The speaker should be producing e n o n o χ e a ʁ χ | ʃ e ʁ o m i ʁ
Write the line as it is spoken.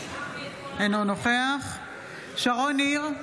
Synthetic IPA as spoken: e n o n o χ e a χ | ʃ a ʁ o n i ʁ